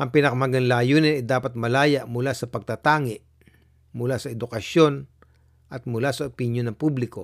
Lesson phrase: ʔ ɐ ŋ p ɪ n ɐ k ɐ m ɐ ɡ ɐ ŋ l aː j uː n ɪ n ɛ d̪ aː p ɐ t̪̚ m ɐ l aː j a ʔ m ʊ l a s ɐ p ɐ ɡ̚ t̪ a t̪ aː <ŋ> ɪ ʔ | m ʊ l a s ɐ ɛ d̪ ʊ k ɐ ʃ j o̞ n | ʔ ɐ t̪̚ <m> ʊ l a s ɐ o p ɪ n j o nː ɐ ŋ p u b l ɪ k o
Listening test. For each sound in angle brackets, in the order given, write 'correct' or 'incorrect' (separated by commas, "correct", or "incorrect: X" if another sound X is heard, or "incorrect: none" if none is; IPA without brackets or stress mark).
correct, correct